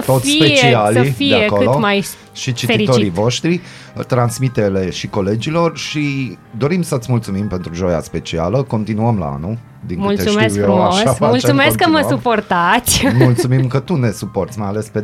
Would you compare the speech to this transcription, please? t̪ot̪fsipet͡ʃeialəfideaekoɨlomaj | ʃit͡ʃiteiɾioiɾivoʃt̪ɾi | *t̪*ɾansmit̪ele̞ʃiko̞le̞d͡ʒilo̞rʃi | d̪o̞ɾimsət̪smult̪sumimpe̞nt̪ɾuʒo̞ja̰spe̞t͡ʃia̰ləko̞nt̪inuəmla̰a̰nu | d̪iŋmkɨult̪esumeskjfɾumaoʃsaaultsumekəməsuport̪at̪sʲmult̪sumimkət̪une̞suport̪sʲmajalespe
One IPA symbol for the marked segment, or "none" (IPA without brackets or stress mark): t̪